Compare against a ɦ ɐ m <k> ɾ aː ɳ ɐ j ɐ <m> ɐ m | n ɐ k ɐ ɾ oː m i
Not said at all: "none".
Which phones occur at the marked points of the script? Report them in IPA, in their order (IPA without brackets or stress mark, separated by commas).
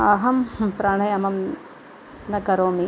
p, m